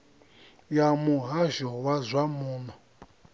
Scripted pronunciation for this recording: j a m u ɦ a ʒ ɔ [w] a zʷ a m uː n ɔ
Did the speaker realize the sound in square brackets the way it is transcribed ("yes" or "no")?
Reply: yes